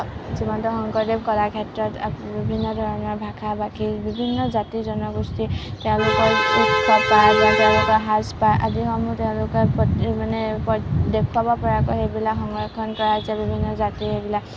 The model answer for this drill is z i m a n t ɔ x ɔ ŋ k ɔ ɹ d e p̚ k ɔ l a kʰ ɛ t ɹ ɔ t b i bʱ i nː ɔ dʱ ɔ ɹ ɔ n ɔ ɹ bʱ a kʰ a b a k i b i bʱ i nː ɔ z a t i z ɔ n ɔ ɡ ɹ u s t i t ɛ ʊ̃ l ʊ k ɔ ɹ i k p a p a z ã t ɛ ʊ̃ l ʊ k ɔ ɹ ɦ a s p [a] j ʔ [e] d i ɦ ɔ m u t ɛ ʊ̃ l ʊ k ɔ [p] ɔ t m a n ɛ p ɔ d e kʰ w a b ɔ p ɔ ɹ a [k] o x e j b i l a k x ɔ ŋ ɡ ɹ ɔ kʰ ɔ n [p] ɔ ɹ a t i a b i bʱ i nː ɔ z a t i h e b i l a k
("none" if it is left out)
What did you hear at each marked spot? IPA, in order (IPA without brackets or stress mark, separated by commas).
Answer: a, a, p, k, k